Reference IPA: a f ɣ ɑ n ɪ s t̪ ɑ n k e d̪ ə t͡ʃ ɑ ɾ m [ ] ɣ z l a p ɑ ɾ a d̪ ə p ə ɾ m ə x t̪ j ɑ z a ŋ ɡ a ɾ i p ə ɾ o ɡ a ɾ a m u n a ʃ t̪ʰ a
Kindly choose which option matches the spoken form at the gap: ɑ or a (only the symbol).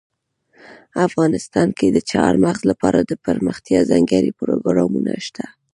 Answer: a